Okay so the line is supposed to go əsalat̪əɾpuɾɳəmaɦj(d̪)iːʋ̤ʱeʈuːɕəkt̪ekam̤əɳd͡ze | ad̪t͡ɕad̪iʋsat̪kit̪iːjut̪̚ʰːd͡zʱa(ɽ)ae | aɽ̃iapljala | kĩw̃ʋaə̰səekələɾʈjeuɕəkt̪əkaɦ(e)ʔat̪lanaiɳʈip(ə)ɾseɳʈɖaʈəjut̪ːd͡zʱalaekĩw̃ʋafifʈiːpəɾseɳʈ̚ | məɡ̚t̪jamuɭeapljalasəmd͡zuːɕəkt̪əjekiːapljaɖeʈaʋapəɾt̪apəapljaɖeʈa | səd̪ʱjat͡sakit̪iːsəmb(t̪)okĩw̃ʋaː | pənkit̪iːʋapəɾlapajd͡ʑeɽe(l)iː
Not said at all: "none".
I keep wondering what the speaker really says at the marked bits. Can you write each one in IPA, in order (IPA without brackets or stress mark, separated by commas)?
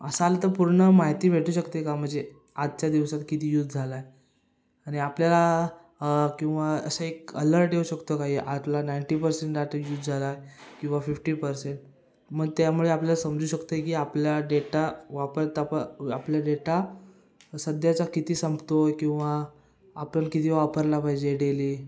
t̪, l, i, ə, t̪, l